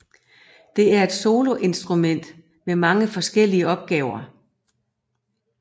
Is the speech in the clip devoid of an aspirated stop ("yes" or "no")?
yes